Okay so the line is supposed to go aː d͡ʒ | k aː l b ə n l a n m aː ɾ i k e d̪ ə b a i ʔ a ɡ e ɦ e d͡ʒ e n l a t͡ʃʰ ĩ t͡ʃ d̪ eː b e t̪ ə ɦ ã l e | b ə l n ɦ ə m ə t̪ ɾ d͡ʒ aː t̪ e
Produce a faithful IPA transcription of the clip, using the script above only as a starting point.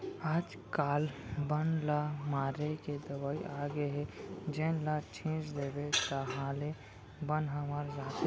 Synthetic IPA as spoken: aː d͡ʒ | k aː l b ə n l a m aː ɾ e k e d̪ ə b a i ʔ a ɡ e ɦ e d͡ʒ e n l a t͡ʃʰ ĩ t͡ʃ d̪ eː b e t̪ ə ɦ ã l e | b ə n ɦ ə m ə ɾ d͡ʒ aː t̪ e